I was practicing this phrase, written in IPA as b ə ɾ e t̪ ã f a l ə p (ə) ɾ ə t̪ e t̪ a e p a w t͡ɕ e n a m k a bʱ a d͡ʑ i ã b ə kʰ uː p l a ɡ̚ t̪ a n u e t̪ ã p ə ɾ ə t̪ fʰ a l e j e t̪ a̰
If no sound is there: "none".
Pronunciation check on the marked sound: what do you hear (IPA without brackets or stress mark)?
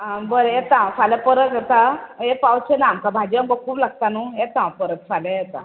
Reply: ə